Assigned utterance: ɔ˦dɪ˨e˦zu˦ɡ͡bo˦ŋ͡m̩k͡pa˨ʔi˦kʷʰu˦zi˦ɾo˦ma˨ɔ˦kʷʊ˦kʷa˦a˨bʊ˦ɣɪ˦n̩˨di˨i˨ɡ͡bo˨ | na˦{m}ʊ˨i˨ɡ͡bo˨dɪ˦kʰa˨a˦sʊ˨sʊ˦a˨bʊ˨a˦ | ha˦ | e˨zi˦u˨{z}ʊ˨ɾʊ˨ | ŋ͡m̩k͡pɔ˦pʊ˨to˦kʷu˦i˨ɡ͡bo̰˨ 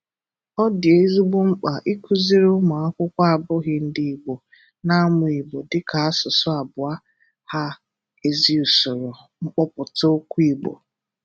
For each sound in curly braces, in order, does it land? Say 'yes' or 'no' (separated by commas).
yes, no